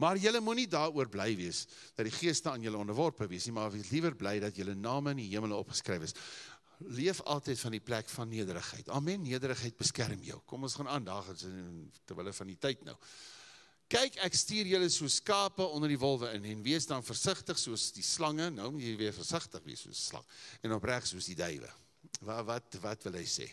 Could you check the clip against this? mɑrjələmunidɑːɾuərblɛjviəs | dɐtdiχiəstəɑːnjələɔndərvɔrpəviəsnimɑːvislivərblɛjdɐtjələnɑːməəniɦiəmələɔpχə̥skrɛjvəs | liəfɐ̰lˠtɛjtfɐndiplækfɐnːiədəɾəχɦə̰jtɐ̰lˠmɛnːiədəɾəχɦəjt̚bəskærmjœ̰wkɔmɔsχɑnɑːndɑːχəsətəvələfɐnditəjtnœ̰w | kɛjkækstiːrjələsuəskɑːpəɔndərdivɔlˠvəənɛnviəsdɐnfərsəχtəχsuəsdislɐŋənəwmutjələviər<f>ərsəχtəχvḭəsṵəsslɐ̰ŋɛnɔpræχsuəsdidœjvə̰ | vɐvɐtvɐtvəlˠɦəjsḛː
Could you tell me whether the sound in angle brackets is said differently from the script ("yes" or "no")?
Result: no